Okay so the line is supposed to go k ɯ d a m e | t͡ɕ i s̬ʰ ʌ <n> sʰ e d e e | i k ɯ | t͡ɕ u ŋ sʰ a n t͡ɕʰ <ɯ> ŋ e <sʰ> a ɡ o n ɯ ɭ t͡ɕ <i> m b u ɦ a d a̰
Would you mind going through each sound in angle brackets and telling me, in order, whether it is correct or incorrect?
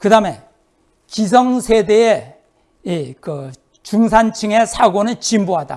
incorrect, correct, correct, correct

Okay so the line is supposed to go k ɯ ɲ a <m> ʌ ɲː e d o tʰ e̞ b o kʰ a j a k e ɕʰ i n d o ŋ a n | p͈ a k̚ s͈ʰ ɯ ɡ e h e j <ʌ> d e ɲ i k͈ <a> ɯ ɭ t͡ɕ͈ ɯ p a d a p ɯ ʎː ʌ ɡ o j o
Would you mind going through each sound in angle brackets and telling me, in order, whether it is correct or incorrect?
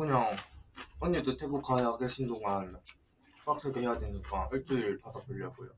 incorrect, incorrect, correct

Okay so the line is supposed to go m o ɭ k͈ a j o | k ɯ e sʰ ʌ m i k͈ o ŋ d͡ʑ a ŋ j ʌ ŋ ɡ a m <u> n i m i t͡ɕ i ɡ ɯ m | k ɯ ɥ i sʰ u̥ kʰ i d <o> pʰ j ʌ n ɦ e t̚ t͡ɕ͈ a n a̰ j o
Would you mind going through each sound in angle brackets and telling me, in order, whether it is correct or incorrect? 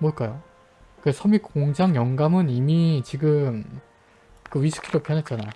incorrect, correct

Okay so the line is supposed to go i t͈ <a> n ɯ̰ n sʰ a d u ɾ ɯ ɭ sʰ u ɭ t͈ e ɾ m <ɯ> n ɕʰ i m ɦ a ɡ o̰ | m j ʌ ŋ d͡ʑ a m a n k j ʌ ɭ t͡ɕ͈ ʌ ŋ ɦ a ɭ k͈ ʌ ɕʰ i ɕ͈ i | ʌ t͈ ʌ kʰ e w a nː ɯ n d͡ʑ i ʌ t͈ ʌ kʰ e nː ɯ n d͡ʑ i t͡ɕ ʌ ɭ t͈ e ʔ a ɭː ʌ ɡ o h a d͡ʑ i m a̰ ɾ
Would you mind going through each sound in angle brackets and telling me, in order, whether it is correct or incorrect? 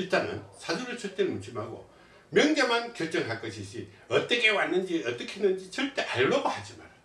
correct, incorrect

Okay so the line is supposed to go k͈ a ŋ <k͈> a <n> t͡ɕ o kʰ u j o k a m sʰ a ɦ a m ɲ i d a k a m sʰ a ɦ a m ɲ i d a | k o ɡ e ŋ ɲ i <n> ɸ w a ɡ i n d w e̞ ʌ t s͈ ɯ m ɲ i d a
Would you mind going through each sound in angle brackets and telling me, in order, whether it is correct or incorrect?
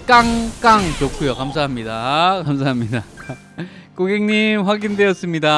correct, incorrect, incorrect

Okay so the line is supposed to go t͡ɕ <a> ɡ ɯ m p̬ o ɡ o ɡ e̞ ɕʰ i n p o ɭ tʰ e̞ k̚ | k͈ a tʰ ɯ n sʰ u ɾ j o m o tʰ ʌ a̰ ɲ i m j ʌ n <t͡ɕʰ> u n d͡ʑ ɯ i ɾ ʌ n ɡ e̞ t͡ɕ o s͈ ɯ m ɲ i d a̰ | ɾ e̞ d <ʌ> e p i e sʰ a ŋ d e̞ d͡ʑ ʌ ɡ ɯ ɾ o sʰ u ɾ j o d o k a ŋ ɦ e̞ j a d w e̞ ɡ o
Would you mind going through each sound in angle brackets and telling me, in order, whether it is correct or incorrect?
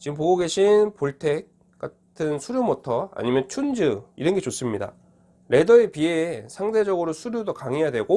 incorrect, correct, correct

